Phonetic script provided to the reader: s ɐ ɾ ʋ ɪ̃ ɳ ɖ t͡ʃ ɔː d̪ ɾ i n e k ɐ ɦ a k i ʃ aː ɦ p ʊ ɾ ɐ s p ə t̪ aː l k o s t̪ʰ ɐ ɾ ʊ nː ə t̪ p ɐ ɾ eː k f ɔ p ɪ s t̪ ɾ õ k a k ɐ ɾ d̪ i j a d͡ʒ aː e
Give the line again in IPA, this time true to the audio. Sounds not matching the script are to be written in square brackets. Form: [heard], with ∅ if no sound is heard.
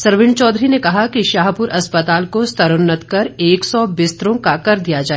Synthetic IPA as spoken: s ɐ ɾ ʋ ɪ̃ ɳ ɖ t͡ʃ ɔː d̪ ɾ i n e k ɐ ɦ a k i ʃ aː ɦ p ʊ ɾ ɐ s p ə t̪ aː l k o s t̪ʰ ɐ ɾ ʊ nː ə t̪ [k] ɐ ɾ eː k [s] ɔ [b] ɪ s t̪ ɾ õ k a k ɐ ɾ d̪ i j a d͡ʒ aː e